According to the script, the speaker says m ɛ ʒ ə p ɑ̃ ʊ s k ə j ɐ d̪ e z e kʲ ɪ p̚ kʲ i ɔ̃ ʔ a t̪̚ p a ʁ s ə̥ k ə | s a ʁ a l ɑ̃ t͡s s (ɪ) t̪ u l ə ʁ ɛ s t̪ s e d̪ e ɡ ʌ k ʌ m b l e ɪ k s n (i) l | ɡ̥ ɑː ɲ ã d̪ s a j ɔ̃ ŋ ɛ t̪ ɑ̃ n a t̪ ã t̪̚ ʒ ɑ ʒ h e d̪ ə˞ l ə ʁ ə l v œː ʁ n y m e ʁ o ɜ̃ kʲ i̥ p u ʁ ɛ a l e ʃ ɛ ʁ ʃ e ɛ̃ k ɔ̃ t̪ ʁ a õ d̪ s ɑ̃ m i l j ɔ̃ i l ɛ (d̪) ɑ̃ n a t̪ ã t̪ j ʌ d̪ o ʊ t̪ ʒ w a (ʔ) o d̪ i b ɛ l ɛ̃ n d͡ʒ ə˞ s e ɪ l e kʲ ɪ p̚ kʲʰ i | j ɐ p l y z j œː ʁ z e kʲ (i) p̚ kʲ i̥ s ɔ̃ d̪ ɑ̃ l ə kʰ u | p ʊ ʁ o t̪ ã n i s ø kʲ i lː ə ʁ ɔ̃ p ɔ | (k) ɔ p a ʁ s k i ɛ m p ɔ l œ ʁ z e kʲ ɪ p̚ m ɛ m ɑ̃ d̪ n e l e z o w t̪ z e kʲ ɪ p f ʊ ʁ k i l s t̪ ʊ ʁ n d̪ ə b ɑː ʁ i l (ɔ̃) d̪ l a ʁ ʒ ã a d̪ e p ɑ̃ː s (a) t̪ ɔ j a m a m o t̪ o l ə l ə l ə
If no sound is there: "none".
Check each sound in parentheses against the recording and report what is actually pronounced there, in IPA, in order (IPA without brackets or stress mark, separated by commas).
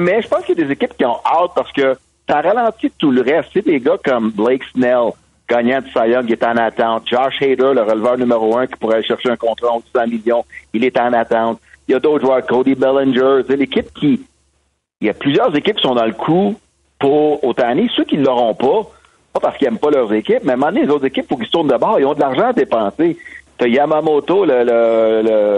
i, ɛ, t̪, k, ɪ, p, ɔ̃, e